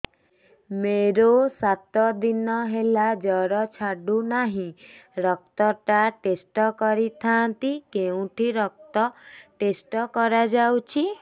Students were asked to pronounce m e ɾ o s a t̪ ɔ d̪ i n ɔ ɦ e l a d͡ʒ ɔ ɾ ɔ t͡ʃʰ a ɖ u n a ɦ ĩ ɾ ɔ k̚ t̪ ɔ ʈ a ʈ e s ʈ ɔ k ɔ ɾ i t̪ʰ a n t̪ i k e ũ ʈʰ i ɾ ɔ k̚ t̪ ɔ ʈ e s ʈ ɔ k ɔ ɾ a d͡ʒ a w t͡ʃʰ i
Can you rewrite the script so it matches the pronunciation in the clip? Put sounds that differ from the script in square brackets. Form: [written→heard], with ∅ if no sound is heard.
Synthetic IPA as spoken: m e ɾ o s a t̪ ɔ d̪ i n ɔ ɦ e l a d͡ʒ ɔ ɾ ɔ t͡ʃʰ a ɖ u n a ɦ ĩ ɾ ɔ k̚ t̪ ɔ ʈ a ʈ e s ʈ ɔ k ɔ ɾ i t̪ʰ a n t̪ i k e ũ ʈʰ i ɾ ɔ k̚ t̪ ɔ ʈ e s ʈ ɔ k ɔ ɾ a d͡ʒ a w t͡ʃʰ i